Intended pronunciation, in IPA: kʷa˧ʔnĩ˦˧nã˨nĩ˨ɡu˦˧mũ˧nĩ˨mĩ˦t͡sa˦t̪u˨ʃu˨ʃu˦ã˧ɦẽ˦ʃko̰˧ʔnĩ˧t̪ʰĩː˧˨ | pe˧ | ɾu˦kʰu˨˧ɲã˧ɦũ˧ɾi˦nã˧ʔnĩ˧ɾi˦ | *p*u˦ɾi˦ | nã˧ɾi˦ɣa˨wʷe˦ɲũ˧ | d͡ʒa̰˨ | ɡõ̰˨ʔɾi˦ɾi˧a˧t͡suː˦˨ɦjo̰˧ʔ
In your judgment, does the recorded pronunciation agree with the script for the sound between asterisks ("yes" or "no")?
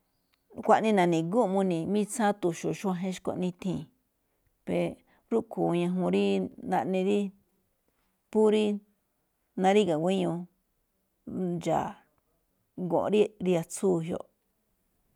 yes